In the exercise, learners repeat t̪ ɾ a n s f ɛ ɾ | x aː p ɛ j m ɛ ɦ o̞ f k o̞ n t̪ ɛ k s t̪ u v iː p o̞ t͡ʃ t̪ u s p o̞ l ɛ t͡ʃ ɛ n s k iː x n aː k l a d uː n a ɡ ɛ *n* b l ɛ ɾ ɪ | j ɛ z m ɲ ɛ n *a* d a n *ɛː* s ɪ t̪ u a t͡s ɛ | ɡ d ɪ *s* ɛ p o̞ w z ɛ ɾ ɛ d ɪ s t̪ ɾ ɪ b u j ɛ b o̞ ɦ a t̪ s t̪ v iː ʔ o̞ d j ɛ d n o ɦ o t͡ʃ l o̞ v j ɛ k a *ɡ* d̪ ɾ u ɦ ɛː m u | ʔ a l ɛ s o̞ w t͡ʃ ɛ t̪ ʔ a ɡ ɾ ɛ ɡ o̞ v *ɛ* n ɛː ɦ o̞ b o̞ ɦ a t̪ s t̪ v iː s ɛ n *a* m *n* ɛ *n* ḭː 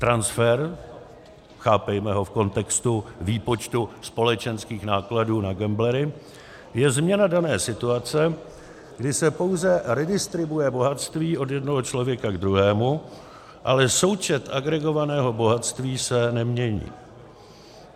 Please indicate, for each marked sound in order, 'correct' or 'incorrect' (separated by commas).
incorrect, correct, correct, correct, correct, incorrect, incorrect, incorrect, incorrect